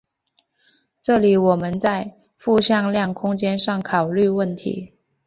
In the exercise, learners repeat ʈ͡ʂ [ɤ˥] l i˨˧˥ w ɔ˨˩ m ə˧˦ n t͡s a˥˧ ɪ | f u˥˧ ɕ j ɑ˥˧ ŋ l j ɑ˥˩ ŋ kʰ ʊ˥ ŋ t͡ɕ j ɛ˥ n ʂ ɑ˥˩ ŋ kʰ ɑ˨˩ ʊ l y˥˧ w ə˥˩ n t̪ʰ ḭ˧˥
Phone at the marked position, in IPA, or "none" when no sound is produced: ɤ˥˩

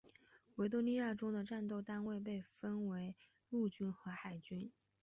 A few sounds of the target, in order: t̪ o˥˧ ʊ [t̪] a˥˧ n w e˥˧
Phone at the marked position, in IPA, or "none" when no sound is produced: t̪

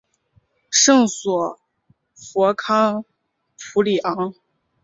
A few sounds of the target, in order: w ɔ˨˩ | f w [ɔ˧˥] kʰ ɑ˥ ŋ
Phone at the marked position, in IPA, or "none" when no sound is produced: ɔ˧˥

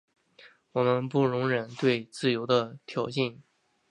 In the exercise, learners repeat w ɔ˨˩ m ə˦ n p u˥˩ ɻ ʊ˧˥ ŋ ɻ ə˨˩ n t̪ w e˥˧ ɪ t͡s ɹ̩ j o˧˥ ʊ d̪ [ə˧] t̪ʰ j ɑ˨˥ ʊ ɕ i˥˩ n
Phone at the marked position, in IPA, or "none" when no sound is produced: ə˧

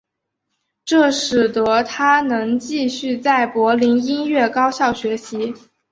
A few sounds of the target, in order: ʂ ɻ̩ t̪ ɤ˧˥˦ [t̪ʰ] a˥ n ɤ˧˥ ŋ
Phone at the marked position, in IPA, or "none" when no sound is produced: t̪ʰ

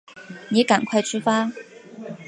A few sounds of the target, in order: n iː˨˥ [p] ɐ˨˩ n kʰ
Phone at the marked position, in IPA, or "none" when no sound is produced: k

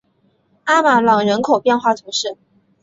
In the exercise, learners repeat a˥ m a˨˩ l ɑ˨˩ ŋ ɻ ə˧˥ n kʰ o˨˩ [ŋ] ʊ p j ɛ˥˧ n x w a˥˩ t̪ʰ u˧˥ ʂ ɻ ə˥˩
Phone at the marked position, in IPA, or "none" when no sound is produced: none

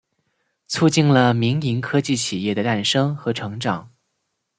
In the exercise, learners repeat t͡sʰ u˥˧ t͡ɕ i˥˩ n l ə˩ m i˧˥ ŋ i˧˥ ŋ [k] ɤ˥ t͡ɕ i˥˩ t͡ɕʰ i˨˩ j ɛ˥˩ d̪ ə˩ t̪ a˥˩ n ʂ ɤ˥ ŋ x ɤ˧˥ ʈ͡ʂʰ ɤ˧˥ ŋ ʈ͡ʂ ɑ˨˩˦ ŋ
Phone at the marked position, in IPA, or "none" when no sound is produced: kʰ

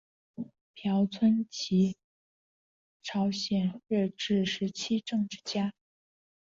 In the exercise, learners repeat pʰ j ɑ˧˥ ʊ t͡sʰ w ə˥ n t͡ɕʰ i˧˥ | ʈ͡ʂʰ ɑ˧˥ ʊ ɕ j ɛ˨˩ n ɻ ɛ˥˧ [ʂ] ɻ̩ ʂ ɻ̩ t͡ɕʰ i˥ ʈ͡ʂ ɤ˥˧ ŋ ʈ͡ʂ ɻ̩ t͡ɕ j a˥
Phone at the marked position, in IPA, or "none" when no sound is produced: ʈ͡ʂ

